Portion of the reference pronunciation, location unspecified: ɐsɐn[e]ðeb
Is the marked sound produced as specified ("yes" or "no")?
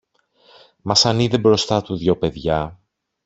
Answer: no